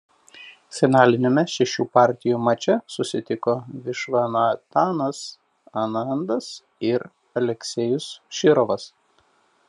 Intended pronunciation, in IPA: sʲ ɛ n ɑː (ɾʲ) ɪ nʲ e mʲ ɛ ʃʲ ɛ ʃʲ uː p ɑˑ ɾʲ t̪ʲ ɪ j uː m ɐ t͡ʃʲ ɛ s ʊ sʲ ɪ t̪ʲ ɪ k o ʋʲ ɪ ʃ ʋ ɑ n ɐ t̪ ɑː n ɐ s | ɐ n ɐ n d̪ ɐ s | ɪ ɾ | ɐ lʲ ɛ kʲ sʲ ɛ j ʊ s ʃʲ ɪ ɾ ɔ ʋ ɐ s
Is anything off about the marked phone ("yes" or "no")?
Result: yes